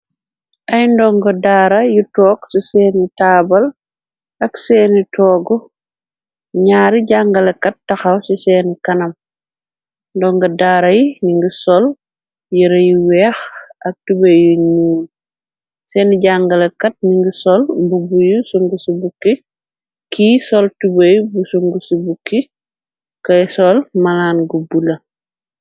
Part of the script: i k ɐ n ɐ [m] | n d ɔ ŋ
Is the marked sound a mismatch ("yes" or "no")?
no